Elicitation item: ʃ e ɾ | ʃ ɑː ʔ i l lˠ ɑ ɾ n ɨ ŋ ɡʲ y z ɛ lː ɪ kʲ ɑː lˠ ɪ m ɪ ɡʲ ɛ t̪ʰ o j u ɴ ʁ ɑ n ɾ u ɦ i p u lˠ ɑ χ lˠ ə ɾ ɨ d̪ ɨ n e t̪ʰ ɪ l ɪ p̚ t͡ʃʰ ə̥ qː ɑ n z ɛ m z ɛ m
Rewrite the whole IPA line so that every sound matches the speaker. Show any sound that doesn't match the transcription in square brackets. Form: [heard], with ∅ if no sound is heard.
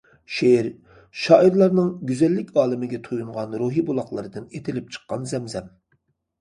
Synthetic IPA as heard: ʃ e ɾ | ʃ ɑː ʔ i [ɾ] lˠ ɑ ɾ n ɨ ŋ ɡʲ y z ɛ lː ɪ kʲ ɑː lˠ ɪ m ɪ ɡʲ ɛ t̪ʰ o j u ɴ ʁ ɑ n ɾ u ɦ i [b] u lˠ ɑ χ lˠ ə ɾ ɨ d̪ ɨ n e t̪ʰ ɪ l ɪ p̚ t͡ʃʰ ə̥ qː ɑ n z ɛ m z ɛ m